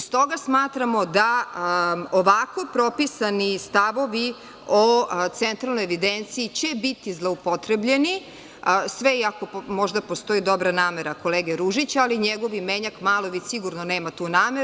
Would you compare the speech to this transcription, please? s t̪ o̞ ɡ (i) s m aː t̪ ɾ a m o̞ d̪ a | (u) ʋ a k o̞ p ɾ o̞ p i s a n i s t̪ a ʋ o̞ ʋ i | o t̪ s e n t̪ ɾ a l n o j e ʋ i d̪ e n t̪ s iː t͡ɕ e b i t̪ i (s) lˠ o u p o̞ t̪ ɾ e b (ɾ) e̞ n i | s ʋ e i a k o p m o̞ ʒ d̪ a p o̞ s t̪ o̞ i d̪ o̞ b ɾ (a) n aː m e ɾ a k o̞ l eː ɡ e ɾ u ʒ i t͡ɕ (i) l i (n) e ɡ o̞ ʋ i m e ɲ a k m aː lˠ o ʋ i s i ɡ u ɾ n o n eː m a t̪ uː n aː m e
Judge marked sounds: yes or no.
no, no, no, no, yes, no, no

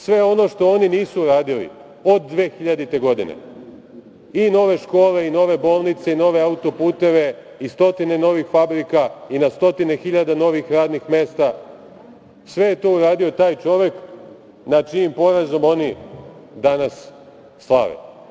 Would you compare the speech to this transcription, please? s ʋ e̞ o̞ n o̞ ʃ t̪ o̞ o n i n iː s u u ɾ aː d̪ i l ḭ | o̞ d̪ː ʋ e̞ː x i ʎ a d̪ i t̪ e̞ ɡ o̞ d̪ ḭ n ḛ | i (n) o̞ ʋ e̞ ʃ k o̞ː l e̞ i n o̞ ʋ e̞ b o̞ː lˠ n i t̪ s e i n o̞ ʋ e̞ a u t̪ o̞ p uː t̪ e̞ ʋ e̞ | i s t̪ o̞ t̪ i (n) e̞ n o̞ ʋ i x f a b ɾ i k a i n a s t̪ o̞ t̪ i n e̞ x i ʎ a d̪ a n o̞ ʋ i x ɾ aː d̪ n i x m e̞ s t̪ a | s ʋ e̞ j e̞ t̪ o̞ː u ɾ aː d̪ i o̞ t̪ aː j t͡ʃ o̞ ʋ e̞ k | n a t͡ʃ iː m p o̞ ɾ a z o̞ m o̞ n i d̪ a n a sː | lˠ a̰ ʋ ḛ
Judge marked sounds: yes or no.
yes, yes

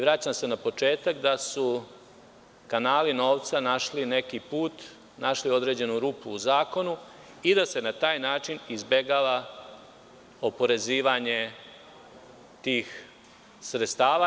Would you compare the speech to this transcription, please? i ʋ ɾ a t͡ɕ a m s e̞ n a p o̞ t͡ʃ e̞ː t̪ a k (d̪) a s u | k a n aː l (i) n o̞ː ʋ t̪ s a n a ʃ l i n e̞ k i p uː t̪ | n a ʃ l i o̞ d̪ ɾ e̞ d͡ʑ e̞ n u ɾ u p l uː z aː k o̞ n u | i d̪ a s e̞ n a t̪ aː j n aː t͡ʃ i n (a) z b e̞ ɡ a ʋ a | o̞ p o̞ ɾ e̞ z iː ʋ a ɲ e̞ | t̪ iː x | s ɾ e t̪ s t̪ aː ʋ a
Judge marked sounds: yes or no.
yes, yes, no

